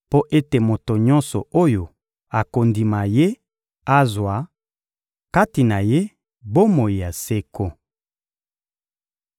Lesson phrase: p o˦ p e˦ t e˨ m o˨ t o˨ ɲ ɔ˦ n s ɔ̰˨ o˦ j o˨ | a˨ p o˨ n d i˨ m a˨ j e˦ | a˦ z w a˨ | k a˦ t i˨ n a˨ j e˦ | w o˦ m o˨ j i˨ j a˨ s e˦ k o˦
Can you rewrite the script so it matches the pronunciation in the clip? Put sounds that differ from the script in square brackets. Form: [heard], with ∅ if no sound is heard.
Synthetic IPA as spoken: p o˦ [ʔ] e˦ t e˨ m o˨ t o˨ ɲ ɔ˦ n s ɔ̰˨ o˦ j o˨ | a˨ [k] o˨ n d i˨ m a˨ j e˦ | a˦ z w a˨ | k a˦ t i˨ n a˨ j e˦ | [b] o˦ m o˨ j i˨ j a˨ s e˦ k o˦